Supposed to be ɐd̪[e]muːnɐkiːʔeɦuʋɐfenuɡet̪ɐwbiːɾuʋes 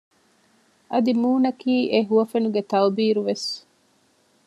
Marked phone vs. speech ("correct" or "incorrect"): incorrect